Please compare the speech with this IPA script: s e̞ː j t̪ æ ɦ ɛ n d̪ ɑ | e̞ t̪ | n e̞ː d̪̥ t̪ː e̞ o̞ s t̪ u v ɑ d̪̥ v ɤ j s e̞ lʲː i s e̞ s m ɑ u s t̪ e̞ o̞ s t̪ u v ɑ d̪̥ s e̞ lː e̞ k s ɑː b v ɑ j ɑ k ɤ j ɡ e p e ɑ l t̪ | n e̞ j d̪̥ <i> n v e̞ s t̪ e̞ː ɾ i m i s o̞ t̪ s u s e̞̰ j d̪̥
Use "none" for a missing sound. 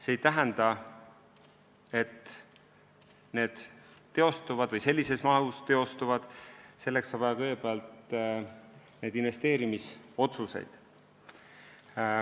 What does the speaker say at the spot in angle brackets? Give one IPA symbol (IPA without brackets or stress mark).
i